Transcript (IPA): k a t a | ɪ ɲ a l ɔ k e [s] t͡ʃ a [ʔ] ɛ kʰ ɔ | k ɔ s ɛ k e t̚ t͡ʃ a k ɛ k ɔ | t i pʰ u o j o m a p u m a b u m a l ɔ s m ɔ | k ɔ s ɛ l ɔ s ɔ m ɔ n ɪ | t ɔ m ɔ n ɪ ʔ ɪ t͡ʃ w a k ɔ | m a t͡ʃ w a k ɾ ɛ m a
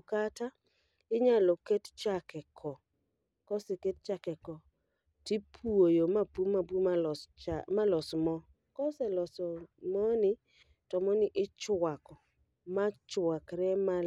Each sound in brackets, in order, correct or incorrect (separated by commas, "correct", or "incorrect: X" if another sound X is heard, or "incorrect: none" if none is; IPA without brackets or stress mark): incorrect: t, incorrect: k